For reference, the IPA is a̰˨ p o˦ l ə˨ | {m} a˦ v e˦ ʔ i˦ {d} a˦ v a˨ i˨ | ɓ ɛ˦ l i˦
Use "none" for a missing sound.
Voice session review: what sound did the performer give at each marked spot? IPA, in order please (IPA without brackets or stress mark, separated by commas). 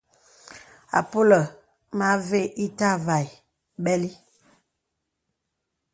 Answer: m, t